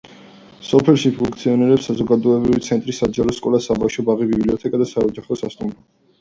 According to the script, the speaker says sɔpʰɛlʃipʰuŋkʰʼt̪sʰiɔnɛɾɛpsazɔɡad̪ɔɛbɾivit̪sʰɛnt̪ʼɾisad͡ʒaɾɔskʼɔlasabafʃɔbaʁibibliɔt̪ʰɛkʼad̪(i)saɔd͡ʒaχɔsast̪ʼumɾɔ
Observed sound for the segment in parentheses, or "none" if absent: a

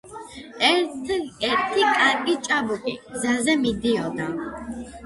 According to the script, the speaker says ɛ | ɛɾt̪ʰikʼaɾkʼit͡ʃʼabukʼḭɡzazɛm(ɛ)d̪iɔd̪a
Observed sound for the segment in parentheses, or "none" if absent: i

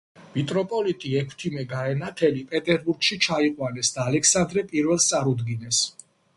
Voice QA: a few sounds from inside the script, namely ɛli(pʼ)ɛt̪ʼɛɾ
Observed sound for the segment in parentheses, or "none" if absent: pʼ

